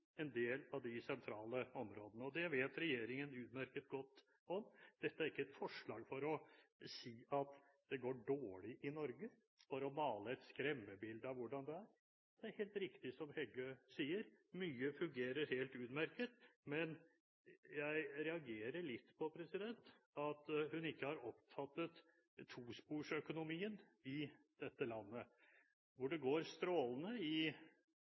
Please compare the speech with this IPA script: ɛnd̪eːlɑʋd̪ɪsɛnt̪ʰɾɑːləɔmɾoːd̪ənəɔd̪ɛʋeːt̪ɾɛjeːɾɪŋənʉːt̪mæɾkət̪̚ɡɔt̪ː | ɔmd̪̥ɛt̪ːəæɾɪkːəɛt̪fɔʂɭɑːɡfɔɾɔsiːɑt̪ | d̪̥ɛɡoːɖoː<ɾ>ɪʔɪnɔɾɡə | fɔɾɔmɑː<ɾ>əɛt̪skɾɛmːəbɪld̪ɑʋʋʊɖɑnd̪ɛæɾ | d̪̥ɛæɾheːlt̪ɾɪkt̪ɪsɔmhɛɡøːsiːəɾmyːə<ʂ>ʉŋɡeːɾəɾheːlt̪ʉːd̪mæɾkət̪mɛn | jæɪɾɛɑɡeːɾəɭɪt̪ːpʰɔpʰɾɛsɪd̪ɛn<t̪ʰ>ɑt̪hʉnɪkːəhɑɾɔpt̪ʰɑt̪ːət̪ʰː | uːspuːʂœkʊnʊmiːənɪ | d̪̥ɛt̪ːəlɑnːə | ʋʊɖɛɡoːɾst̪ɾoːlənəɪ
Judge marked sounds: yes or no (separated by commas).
no, no, no, no